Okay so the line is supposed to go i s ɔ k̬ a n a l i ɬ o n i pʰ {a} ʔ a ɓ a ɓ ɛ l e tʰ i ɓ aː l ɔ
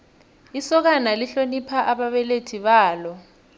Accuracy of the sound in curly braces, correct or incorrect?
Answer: correct